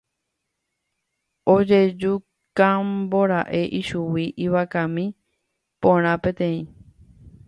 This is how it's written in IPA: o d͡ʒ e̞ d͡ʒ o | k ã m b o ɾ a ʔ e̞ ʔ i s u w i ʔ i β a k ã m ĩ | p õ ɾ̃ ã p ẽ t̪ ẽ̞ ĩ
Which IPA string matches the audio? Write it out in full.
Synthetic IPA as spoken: o d͡ʒ e̞ d͡ʒ u | k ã m b o ɾ a ʔ e̞ ʔ i ʃ u w i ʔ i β a k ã m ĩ | p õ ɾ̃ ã p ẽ t̪ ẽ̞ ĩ